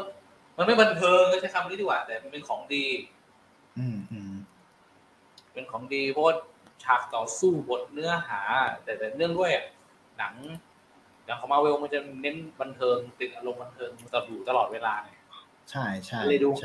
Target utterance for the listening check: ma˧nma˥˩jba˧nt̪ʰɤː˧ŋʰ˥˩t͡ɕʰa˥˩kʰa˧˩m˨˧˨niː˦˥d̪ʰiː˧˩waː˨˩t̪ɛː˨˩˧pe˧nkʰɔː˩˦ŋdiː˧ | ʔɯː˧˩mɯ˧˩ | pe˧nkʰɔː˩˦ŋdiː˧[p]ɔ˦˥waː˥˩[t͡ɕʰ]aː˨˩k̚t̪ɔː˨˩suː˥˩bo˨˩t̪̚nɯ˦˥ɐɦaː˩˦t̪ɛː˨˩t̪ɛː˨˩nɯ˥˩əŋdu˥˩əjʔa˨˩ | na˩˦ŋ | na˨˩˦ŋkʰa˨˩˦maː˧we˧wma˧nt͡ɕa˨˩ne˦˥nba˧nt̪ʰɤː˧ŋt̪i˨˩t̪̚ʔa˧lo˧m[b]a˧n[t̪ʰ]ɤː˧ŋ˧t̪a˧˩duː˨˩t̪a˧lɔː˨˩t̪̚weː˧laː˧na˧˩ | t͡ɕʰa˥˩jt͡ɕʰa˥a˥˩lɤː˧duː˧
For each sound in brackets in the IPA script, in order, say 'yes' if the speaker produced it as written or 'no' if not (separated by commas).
no, yes, yes, yes